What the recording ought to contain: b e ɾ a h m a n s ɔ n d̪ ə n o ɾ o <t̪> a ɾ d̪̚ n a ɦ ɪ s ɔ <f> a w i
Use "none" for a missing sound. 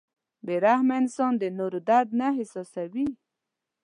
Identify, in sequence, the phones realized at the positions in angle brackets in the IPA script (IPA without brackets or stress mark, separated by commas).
d̪, s